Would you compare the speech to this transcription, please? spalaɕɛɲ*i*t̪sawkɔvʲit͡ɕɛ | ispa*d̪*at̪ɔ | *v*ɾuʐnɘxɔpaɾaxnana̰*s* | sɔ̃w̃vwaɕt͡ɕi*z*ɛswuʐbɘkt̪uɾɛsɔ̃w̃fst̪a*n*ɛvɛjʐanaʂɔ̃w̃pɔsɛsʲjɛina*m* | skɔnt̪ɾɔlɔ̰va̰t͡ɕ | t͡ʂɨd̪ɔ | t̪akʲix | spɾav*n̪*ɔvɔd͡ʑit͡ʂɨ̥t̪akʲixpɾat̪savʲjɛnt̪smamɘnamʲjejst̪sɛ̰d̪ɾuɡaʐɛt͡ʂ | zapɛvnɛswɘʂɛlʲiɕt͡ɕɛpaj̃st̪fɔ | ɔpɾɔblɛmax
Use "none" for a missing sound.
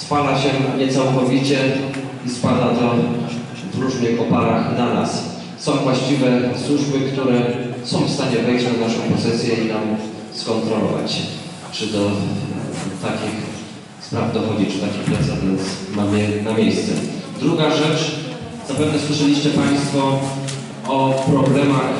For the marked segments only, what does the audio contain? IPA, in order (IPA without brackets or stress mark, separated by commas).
ɛ, d̪, v, s, v, ɲ, m, d̪